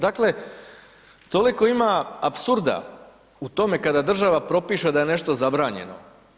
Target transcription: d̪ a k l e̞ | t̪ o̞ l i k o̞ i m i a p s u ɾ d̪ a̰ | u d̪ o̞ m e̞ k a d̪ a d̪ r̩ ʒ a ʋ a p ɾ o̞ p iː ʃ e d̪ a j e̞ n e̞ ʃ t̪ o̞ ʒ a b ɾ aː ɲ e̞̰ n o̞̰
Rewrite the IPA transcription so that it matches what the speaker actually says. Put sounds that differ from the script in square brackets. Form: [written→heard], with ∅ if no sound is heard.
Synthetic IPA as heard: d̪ a k l e̞ | t̪ o̞ l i k o̞ i m [i→a] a p s u ɾ d̪ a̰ | u [d̪→t̪] o̞ m e̞ k a d̪ a d̪ r̩ ʒ a ʋ a p ɾ o̞ p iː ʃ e d̪ a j e̞ n e̞ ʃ t̪ o̞ [ʒ→z] a b ɾ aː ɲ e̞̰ n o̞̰